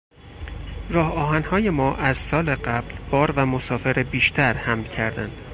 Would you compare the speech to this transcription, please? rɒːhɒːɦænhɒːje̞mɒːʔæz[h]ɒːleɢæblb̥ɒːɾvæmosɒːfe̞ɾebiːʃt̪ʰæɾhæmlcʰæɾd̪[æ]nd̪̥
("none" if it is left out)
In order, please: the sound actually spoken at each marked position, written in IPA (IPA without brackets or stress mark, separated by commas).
s, æ